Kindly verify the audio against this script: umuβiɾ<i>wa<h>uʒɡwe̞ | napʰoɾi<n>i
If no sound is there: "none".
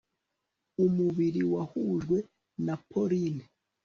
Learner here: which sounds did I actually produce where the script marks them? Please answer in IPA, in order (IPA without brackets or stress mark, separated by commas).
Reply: i, h, n